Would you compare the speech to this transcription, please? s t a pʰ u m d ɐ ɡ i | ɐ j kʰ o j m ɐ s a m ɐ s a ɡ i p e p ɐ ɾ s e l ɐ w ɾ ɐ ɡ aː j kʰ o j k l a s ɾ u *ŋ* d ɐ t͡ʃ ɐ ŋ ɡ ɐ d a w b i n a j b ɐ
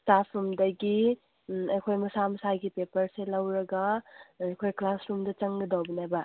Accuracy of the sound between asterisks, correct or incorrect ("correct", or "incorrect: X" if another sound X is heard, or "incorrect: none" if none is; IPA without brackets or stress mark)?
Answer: incorrect: m